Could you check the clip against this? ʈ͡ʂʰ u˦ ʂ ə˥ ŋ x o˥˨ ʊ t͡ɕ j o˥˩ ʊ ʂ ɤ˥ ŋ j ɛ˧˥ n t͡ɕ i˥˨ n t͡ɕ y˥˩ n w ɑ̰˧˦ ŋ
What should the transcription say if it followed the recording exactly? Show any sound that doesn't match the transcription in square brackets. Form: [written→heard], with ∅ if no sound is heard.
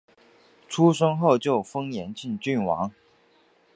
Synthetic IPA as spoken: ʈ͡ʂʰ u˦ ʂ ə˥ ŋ x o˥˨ ʊ t͡ɕ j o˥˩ ʊ [ʂ→f] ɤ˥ ŋ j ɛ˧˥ n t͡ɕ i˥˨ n t͡ɕ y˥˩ n w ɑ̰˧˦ ŋ